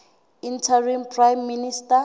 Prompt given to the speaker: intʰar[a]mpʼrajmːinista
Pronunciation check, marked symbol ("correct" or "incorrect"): incorrect